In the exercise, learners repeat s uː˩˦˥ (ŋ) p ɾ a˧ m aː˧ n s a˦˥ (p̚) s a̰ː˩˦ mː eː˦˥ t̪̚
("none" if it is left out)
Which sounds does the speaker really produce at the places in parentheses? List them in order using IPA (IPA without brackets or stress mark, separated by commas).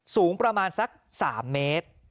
ŋ, k̚